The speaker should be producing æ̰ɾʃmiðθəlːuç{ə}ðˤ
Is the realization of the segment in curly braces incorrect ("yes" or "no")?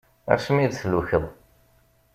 no